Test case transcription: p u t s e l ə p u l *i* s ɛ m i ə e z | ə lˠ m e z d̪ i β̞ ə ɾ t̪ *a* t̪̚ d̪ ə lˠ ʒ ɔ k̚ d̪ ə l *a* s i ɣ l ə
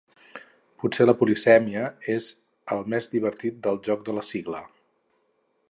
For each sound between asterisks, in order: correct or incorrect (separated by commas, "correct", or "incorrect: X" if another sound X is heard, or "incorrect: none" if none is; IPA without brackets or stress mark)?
correct, incorrect: i, incorrect: ə